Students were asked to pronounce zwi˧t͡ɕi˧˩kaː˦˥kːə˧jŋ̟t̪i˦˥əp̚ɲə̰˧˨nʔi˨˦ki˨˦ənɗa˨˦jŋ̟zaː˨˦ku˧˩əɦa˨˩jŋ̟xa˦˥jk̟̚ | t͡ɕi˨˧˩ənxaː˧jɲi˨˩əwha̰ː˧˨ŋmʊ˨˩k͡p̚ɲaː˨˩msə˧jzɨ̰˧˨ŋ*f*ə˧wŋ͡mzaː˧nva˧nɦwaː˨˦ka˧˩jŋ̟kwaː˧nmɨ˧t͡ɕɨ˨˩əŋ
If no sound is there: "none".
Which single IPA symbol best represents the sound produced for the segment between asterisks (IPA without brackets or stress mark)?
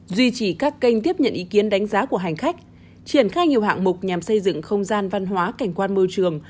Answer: x